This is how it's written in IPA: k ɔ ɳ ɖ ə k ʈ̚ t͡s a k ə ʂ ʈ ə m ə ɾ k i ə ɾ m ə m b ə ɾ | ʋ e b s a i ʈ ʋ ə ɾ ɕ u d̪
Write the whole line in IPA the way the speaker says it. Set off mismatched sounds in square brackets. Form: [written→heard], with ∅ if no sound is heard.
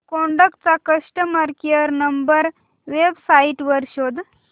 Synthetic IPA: k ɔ ɳ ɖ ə k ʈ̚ t͡s a k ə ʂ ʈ ə m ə ɾ k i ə ɾ [m→n] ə m b ə ɾ | ʋ e b s a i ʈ ʋ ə ɾ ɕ [u→o] d̪